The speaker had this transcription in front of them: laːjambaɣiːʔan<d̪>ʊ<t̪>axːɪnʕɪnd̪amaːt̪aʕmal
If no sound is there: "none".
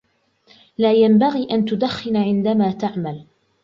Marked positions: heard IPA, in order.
t̪, d̪

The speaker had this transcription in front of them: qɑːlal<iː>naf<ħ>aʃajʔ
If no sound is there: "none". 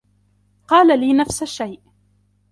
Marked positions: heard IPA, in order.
iː, s

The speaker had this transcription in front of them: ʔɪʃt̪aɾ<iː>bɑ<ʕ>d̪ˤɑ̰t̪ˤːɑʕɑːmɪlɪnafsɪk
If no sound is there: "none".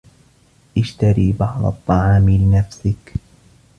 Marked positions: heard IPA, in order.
iː, ʕ

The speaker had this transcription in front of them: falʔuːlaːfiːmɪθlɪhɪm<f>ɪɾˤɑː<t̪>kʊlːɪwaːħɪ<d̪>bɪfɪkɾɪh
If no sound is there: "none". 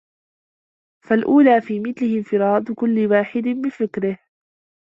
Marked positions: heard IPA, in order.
f, d̪, d̪

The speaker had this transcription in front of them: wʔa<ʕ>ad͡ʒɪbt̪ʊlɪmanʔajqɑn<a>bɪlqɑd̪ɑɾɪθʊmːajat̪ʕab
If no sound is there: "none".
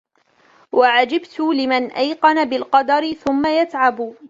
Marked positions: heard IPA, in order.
ʕ, a

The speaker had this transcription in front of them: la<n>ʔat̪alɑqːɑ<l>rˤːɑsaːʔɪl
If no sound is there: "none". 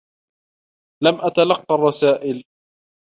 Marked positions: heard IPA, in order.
m, none

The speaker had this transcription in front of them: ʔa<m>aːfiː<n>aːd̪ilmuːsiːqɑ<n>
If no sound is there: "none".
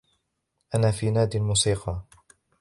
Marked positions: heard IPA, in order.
n, n, none

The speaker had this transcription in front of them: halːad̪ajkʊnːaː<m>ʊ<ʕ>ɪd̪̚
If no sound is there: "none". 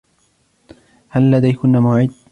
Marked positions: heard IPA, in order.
m, ʕ

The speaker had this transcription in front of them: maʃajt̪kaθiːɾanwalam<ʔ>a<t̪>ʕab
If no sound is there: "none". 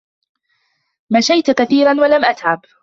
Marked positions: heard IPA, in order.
ʔ, t̪

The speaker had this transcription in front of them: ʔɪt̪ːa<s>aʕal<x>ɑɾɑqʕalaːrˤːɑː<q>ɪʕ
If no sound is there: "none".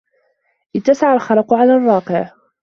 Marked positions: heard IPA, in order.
s, x, q

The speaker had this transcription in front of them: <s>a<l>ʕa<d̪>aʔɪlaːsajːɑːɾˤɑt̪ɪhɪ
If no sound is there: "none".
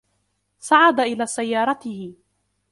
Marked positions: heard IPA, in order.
s, none, d̪

